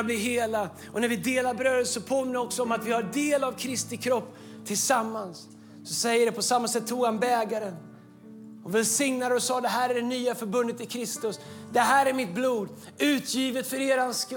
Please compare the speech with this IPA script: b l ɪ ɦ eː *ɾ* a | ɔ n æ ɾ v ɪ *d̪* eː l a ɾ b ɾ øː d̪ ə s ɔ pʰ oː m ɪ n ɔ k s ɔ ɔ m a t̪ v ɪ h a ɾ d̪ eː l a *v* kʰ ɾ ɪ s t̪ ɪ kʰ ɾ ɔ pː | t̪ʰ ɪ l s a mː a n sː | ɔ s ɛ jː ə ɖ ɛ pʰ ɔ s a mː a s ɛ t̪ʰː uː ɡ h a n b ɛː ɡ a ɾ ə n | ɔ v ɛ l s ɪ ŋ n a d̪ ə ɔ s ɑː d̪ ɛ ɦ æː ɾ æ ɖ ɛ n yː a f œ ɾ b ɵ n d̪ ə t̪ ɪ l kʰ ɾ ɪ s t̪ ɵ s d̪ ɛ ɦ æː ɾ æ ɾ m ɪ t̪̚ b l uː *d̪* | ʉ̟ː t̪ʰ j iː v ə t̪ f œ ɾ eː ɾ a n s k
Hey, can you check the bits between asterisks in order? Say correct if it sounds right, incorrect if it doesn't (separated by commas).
incorrect, correct, correct, correct